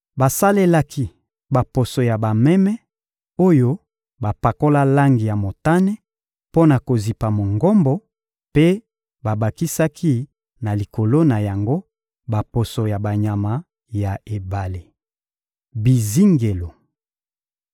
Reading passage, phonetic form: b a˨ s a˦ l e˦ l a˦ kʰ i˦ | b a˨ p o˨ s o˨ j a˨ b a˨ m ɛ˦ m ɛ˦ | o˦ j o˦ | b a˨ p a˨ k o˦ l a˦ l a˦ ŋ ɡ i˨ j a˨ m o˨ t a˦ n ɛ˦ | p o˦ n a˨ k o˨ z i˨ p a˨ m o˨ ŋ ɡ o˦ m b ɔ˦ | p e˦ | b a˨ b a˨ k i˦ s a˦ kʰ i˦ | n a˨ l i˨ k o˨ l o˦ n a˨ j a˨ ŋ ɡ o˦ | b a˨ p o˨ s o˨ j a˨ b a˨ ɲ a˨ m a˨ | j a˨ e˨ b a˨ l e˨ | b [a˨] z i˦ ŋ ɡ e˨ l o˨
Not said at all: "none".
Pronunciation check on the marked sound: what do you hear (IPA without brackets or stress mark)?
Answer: i˨